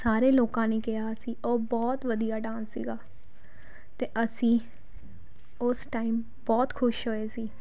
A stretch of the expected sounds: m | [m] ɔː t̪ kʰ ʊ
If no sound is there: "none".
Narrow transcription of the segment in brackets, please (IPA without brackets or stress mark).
b